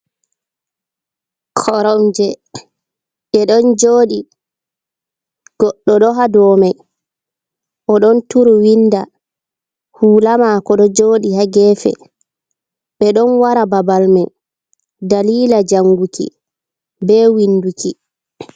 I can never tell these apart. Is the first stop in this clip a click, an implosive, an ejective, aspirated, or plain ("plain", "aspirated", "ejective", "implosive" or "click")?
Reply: aspirated